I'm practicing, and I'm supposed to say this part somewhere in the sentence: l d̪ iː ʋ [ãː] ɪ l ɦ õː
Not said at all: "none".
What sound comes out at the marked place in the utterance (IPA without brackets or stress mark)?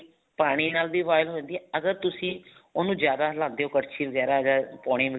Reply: aː